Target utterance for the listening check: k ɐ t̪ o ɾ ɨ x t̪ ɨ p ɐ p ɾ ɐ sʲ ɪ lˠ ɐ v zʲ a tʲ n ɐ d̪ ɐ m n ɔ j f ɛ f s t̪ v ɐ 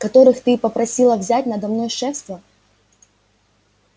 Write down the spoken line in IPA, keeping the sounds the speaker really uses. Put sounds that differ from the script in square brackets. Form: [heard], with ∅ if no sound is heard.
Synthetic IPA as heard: k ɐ t̪ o ɾ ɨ x t̪ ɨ p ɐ p ɾ ɐ sʲ [i] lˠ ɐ v zʲ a tʲ n ɐ d̪ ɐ m n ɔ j [ʂ] ɛ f s t̪ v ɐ